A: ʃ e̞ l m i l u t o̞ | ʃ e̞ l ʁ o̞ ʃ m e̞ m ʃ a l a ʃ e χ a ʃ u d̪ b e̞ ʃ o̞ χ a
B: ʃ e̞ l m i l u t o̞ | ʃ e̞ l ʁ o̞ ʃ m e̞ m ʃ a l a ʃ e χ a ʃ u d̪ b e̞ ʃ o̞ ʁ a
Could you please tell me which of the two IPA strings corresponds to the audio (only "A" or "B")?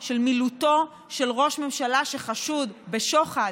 A